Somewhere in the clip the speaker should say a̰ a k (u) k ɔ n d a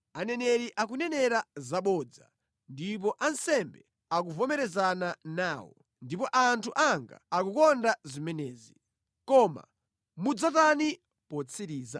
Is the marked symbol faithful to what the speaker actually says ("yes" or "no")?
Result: yes